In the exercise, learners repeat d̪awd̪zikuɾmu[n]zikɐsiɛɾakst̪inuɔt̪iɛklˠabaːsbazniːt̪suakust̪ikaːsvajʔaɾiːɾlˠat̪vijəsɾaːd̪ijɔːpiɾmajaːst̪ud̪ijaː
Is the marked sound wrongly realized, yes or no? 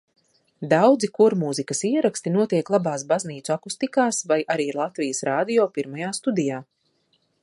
yes